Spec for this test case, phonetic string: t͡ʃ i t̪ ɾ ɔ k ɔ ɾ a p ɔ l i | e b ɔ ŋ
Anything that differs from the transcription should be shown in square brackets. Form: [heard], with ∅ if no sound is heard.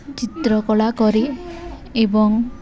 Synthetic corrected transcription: t͡ʃ i t̪ ɾ ɔ k ɔ [ɭ] a [k] ɔ [ɾ] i | e b ɔ ŋ